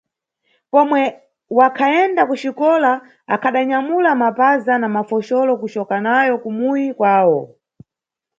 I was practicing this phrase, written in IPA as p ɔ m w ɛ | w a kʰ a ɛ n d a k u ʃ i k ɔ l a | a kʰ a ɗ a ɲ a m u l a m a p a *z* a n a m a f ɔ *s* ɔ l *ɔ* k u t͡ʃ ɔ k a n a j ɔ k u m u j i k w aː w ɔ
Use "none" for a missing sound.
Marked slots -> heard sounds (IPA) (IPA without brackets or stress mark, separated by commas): z, ʃ, ɔ